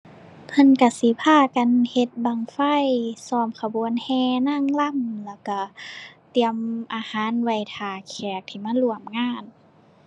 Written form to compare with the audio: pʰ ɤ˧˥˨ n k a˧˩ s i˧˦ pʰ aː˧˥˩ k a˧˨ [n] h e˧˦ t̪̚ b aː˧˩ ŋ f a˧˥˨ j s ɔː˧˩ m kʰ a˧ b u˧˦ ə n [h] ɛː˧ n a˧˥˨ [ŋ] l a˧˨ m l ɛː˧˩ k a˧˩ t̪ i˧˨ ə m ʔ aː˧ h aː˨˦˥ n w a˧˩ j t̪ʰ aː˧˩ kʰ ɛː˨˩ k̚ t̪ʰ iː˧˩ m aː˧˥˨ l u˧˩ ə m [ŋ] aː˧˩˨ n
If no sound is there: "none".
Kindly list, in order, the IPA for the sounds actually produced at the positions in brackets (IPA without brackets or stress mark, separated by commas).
n, h, ŋ, ŋ